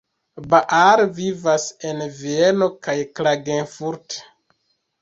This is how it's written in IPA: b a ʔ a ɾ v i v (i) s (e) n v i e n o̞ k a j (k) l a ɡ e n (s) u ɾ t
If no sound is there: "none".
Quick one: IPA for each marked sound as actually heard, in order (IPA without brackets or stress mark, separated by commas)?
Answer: a, e, k, f